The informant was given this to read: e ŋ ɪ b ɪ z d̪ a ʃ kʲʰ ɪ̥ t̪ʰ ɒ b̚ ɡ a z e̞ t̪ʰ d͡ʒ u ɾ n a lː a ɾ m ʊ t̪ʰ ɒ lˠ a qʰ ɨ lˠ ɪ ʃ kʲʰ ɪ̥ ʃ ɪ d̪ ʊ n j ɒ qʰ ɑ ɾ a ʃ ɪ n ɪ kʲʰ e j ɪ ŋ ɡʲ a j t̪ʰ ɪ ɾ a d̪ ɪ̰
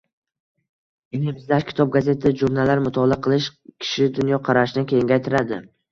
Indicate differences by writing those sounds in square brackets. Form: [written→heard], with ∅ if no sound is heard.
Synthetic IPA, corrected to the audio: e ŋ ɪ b ɪ z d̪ a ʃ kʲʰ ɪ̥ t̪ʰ ɒ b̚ ɡ a z e̞ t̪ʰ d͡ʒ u ɾ n a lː a ɾ m ʊ t̪ʰ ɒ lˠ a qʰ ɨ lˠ ɪ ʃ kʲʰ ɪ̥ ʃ ɪ d̪ ʊ n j ɒ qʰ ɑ ɾ a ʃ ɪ n ɪ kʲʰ e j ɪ ŋ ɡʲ a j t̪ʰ ɪ ɾ a d̪ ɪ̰